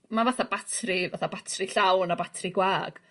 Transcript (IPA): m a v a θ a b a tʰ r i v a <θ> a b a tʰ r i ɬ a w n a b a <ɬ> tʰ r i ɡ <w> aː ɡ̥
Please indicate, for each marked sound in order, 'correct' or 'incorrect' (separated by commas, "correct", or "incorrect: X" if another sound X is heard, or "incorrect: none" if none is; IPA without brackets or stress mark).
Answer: correct, incorrect: none, correct